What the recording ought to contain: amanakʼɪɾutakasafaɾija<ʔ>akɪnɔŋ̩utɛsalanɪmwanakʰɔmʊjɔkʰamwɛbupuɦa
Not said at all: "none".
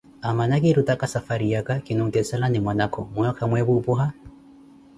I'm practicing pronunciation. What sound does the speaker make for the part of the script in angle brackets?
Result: k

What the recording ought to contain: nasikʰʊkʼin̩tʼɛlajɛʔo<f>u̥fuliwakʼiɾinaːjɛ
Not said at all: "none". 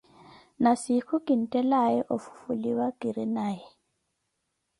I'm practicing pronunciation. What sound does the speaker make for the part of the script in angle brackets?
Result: f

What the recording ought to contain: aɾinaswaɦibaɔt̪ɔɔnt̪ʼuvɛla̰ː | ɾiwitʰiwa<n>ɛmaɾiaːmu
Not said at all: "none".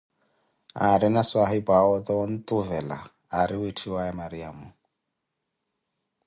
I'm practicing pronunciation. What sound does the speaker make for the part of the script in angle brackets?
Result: none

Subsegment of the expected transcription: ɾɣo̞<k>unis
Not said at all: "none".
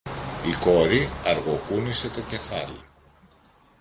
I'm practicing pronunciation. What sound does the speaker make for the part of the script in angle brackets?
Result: k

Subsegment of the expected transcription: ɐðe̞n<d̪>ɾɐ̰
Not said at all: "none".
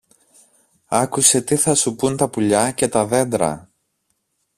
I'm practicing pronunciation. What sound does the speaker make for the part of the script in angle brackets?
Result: d̪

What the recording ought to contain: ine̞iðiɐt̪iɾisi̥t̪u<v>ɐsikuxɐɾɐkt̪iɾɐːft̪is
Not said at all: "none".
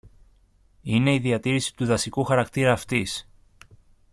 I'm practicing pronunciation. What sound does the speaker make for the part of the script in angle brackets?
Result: ð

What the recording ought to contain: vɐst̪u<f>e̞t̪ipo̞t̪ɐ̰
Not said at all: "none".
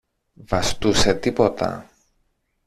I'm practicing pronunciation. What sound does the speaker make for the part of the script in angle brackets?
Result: s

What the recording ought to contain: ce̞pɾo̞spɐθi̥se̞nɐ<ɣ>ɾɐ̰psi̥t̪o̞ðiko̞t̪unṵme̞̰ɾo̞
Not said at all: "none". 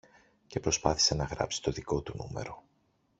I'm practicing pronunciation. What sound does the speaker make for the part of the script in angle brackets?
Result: ɣ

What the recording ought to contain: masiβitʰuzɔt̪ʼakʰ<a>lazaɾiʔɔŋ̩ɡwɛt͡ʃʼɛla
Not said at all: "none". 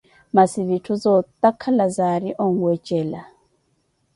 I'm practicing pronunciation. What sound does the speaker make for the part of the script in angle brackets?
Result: a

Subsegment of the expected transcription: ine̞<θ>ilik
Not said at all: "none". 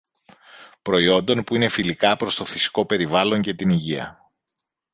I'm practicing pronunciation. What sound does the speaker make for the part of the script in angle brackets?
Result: f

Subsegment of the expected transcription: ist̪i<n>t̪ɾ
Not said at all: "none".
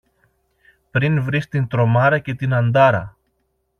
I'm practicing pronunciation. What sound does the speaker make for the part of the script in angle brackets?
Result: n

